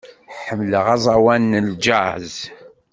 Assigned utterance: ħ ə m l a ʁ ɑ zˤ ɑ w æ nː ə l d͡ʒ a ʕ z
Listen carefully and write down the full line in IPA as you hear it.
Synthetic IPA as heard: ħ ə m l ə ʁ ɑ zˤ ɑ w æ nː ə l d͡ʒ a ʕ z